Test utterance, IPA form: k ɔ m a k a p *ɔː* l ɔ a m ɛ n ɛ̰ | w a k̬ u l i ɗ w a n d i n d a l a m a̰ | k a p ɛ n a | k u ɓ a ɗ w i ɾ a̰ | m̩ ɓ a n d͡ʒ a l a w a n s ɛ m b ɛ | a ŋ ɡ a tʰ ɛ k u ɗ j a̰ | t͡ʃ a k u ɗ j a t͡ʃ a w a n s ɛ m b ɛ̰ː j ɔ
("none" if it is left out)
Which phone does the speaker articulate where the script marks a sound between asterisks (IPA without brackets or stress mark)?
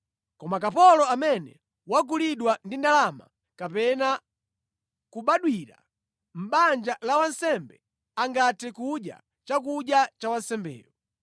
ɔ